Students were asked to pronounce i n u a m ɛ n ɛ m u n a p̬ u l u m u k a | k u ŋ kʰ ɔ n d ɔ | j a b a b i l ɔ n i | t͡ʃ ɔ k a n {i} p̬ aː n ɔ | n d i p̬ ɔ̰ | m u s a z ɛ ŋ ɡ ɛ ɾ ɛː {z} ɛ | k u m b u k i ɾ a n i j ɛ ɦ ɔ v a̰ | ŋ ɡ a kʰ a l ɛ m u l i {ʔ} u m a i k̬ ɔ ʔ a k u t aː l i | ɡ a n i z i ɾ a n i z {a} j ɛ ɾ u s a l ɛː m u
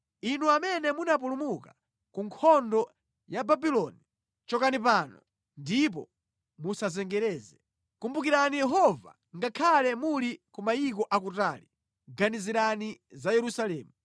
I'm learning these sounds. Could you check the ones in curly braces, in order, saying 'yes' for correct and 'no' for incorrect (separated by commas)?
yes, yes, no, yes